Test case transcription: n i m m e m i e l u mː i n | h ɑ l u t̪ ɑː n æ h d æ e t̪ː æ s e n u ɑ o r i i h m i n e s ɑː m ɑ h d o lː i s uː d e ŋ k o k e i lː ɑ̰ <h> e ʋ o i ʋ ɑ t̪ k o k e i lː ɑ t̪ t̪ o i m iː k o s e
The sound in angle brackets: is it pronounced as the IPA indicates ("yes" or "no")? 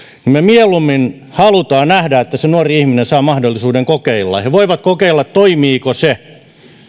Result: yes